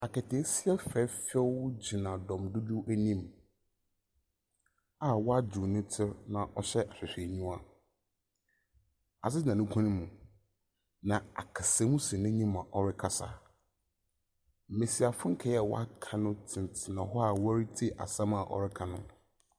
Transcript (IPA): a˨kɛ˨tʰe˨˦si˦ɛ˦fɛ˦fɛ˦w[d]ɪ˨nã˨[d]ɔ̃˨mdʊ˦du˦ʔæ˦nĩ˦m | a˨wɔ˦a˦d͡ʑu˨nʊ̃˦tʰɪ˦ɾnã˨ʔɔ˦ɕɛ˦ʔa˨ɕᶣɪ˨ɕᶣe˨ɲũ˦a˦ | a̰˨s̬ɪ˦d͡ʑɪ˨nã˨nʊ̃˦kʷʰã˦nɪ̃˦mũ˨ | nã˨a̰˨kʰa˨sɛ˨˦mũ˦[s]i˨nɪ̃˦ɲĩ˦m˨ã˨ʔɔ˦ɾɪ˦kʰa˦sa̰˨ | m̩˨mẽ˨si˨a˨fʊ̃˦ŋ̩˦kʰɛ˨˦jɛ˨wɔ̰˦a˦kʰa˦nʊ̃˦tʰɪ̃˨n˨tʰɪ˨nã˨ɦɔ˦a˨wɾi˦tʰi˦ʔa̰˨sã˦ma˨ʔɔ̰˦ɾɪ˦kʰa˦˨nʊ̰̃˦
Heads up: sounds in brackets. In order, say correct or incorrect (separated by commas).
incorrect, correct, correct